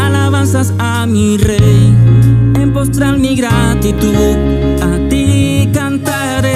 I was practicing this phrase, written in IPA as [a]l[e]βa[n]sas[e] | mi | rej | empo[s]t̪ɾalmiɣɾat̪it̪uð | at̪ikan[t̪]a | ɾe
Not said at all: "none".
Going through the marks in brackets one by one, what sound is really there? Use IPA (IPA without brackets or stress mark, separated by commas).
a, a, n, a, s, t̪